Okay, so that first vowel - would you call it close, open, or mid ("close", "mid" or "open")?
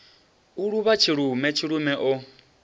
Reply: close